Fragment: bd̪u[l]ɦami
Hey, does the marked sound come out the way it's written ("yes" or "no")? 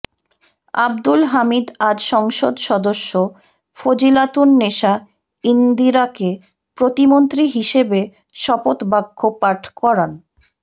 yes